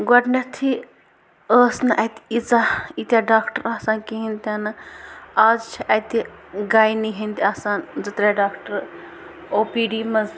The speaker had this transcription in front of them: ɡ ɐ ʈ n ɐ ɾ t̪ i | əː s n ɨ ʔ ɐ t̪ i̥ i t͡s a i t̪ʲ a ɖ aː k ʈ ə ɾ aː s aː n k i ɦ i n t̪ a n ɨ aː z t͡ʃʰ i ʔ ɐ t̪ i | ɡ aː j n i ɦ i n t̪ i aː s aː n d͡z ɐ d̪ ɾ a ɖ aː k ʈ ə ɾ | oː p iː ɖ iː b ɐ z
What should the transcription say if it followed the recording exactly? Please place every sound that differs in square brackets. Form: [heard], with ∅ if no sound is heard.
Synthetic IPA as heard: ɡ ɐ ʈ n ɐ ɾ [t̪ʰ] i | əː s n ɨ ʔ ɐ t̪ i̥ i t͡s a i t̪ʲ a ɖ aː k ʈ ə ɾ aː s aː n k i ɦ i n t̪ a n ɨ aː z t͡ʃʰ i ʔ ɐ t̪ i | ɡ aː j n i ɦ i n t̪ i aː s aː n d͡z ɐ [t̪] ɾ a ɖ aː k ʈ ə ɾ | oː p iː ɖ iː [m] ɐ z